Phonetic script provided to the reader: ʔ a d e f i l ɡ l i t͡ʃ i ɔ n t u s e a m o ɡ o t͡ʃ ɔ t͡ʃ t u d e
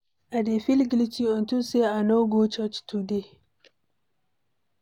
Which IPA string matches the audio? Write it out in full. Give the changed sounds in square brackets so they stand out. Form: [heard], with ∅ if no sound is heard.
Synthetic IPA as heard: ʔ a d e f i l ɡ l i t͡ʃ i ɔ n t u s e a [n] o ɡ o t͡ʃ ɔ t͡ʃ t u d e